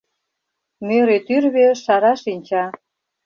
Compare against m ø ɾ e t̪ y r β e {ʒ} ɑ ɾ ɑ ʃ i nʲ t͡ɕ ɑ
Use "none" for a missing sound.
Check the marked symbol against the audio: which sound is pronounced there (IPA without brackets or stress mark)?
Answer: ʃ